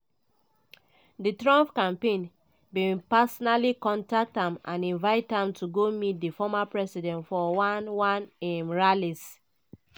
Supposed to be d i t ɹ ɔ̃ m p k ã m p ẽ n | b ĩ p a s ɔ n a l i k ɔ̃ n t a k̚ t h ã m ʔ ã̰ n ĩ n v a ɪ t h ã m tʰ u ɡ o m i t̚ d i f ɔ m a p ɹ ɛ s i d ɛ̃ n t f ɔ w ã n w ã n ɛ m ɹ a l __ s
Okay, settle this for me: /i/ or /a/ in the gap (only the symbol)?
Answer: i